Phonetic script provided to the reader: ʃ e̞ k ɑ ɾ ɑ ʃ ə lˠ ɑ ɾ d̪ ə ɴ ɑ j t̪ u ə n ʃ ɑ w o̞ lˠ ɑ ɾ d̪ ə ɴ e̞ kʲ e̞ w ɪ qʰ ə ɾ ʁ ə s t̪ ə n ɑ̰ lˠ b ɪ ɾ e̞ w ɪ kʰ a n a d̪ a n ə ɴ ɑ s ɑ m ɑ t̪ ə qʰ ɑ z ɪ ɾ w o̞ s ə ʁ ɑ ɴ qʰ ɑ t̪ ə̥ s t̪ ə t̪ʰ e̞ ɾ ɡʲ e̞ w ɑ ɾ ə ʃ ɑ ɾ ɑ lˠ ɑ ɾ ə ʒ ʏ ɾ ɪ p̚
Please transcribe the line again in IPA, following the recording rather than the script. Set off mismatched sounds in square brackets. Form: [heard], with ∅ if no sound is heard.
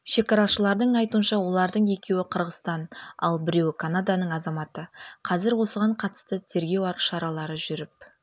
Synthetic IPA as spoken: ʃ e̞ k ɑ ɾ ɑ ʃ ə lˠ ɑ ɾ d̪ ə ɴ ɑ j t̪ u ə n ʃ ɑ w o̞ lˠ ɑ ɾ d̪ ə ɴ e̞ kʲ e̞ w ɪ qʰ ə ɾ ʁ ə s t̪ [ɑ] n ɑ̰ lˠ b ɪ ɾ e̞ w ɪ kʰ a n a d̪ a n ə ɴ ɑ [z] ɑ m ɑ t̪ ə qʰ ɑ z ɪ ɾ w o̞ s ə ʁ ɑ ɴ qʰ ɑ t̪ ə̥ s t̪ ə t̪ʰ e̞ ɾ ɡʲ e̞ w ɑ ɾ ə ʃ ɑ ɾ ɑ lˠ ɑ ɾ ə ʒ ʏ ɾ ɪ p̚